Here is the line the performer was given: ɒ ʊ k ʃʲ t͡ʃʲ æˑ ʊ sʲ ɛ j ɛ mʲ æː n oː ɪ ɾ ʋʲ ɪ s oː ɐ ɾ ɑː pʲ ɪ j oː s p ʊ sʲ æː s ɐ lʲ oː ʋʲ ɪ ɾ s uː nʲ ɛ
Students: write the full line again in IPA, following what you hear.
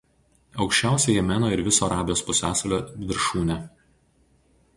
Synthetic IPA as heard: ɒ ʊ k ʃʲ t͡ʃʲ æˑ ʊ sʲ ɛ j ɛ mʲ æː n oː ɪ ɾ ʋʲ ɪ s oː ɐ ɾ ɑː bʲ ɪ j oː s p ʊ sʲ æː s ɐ lʲ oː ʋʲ ɪ ɾ ʃ uː nʲ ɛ

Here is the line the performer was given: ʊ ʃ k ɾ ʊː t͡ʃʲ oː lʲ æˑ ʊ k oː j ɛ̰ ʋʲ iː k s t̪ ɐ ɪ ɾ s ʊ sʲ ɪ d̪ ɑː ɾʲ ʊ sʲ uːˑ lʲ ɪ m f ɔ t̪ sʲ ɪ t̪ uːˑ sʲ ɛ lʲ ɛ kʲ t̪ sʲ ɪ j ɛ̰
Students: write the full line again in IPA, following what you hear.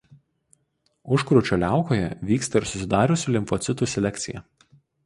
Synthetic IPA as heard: ʊ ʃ k ɾ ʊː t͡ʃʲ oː lʲ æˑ ʊ k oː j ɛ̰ ʋʲ iː k s t̪ ɐ ɪ ɾ s ʊ sʲ ɪ d̪ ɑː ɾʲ ʊ sʲ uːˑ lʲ ɪ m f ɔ t̪ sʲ ɪ t̪ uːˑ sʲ ɛ lʲ ɛ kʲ t̪ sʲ ɪ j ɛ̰

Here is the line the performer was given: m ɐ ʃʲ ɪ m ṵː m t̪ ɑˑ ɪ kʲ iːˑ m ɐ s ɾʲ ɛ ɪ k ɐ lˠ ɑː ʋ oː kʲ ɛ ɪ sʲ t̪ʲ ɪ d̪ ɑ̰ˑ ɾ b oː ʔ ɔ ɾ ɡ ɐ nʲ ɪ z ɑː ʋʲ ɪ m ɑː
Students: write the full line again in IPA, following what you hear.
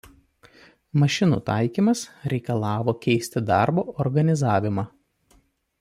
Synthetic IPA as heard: m ɐ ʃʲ ɪ n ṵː t̪ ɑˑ ɪ kʲ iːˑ m ɐ s ɾʲ ɛ ɪ k ɐ lˠ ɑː ʋ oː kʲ ɛ ɪ sʲ t̪ʲ ɪ d̪ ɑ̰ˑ ɾ b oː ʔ ɔ ɾ ɡ ɐ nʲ ɪ z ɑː ʋʲ ɪ m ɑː

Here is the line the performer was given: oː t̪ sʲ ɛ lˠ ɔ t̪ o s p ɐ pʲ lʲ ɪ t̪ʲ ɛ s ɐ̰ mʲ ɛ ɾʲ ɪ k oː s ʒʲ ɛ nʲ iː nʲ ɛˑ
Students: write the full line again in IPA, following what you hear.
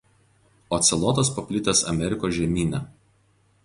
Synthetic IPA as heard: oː t̪ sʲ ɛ lˠ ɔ t̪ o s p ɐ pʲ lʲ ɪ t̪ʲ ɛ s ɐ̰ mʲ ɛ ɾʲ ɪ k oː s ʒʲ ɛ mʲ iː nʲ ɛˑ

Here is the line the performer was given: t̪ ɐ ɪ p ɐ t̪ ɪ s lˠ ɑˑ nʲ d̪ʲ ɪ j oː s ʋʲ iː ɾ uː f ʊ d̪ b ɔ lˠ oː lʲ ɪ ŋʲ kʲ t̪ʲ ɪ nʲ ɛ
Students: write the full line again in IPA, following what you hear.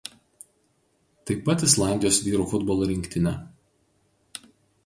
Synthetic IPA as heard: t̪ ɐ ɪ p ɐ t̪ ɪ s lˠ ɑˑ nʲ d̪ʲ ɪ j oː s ʋʲ iː ɾ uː f ʊ d̪ b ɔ lˠ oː ɾʲ ɪ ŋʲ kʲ t̪ʲ ɪ nʲ ɛ

